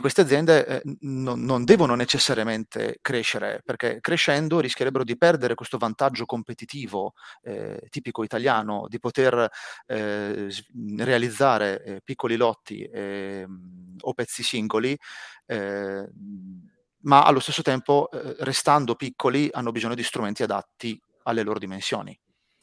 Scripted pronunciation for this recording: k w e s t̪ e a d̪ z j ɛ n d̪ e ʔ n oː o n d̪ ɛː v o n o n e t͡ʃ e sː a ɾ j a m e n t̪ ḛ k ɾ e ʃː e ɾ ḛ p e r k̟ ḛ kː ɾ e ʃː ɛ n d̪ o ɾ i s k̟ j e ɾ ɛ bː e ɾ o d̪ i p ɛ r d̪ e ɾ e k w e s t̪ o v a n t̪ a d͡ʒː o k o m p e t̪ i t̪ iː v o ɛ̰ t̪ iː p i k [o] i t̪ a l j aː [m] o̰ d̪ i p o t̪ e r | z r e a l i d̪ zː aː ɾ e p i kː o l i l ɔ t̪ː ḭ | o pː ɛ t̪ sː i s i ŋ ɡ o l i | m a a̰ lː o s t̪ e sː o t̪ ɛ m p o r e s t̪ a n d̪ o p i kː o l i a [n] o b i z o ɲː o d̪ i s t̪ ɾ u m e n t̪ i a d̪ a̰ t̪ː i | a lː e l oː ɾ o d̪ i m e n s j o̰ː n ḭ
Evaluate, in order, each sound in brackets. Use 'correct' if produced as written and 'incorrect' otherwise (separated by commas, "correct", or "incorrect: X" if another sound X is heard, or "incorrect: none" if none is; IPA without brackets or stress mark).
correct, incorrect: n, incorrect: nː